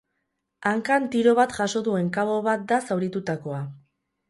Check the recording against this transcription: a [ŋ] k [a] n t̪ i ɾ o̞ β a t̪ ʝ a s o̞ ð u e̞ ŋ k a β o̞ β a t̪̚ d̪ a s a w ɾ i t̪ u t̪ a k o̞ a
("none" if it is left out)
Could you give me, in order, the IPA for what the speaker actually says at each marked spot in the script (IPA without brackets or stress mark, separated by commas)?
ŋ, a